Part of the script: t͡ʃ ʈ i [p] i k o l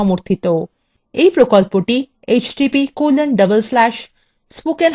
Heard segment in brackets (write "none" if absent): p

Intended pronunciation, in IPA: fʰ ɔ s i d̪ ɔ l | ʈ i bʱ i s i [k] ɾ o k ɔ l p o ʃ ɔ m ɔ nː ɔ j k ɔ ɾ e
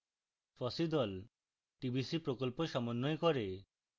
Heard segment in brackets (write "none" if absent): p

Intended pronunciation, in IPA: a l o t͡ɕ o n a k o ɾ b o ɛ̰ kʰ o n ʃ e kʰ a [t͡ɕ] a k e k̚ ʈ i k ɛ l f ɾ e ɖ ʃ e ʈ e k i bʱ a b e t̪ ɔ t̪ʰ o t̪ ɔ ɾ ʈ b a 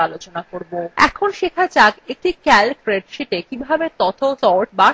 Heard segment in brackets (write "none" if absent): t͡ɕ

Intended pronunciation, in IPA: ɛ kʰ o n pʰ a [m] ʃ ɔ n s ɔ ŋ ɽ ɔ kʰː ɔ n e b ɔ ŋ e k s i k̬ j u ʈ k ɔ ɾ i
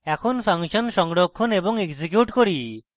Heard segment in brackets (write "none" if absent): ŋ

